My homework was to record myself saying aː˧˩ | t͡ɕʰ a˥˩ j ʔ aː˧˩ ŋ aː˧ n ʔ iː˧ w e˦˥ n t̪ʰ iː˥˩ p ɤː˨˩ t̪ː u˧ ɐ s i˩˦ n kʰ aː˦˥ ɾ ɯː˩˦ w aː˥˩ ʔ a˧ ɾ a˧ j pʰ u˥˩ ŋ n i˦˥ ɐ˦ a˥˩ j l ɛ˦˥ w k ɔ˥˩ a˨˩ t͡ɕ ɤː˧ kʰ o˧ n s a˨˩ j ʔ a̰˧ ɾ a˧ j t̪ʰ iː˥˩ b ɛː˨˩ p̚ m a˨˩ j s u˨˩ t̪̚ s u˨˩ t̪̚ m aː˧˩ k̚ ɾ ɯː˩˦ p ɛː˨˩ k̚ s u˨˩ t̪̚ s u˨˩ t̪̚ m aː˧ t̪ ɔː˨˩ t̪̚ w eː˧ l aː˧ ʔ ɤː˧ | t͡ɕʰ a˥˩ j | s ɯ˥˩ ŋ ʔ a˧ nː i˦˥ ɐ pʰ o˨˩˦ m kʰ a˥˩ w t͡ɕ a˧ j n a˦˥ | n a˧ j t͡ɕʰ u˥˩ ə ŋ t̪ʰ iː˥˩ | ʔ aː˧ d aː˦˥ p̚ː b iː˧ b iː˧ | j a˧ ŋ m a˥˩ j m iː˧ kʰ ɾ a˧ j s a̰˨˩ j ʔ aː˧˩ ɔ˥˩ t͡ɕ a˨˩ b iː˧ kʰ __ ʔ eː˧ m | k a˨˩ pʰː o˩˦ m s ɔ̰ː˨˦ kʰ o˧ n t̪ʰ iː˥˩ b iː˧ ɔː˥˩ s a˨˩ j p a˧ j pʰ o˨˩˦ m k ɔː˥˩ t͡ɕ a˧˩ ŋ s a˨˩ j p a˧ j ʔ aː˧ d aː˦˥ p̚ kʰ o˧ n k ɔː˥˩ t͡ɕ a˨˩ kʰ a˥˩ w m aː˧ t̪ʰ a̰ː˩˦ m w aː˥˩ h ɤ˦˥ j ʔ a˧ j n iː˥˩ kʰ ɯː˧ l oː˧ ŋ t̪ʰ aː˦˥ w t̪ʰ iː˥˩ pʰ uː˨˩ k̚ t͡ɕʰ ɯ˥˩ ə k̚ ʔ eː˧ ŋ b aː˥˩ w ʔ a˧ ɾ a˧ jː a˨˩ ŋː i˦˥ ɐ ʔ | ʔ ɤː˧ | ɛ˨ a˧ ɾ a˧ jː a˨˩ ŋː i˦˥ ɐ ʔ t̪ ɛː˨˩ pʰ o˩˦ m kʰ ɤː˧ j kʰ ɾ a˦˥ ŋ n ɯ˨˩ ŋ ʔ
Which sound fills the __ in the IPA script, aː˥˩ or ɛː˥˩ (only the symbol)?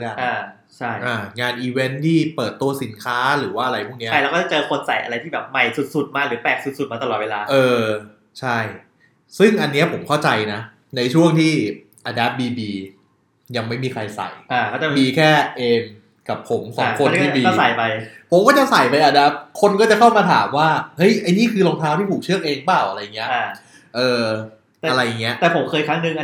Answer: ɛː˥˩